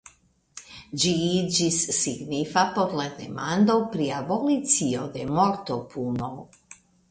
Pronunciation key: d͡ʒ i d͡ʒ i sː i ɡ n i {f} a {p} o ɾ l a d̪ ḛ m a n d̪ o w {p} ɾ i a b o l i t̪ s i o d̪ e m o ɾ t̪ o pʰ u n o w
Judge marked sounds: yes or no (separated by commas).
yes, yes, yes